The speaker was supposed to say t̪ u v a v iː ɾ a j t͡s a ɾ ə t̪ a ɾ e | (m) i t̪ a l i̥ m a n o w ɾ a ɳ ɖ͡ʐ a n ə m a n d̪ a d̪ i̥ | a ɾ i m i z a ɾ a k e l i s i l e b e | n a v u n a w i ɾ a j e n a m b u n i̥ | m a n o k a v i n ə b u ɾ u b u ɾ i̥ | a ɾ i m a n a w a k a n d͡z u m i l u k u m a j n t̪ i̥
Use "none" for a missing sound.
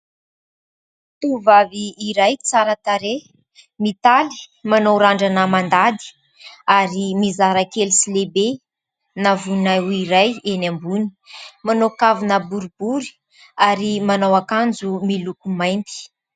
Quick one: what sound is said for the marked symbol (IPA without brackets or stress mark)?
m